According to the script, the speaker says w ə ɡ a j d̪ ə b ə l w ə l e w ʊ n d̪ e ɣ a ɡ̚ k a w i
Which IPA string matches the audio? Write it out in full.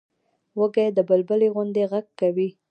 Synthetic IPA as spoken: w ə ɡ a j d̪ ə b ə l b ə l e ɣ ʊ n d̪ e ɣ a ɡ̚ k a w i